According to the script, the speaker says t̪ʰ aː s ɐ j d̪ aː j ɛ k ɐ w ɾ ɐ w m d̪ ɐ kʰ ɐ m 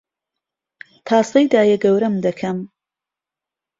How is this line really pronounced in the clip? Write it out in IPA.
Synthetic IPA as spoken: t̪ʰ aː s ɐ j d̪ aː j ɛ ɡ ɐ w ɾ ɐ m d̪ ɐ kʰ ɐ m